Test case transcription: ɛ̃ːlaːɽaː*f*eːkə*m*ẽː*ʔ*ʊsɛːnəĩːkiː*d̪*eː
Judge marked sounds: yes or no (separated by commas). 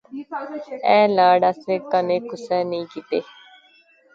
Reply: no, no, no, no